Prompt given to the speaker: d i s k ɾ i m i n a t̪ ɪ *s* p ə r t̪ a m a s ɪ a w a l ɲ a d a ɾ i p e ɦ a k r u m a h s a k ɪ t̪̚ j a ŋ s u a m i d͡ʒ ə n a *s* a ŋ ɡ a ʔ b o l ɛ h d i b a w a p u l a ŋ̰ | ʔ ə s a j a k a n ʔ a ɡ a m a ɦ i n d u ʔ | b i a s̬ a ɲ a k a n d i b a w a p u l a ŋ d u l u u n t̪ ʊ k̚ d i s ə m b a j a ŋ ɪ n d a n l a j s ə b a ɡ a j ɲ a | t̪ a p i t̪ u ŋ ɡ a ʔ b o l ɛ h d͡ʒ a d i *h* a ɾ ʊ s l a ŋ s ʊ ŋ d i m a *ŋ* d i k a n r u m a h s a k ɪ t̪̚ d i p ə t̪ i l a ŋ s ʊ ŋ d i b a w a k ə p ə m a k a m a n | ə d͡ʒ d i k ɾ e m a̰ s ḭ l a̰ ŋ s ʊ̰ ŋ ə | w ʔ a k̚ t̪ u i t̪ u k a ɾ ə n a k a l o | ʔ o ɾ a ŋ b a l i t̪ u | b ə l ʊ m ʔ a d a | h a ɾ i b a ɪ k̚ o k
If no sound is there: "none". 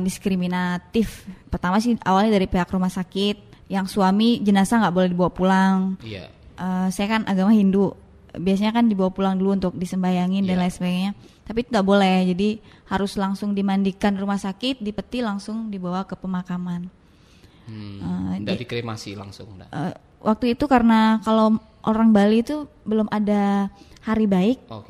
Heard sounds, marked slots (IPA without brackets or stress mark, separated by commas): f, s, h, n